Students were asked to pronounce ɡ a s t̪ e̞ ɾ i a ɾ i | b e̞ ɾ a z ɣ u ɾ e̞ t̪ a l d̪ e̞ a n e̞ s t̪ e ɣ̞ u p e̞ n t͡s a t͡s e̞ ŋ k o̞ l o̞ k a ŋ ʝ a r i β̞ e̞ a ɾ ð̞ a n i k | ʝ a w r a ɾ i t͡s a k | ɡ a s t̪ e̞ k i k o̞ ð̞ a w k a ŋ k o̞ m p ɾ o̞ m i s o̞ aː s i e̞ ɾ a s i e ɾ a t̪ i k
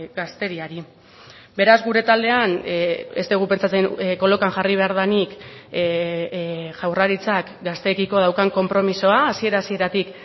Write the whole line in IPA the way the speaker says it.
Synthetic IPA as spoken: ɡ a s t̪ e̞ ɾ i a ɾ i | b e̞ ɾ a z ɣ u ɾ e̞ t̪ a l d̪ e̞ a n e̞ s t̪ e ɣ̞ u p e̞ n t͡s a t͡s e̞ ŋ k o̞ l o̞ k a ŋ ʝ a r i β̞ e̞ a ɾ ð̞ a n i k | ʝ a w r a ɾ i t͡s a k | ɡ a s t̪ e̞ k i k o̞ ð̞ a w k a ŋ k o̞ m p ɾ o̞ m i s o̞ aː s i e̞ ɾ a s i e ɾ a t̪ i k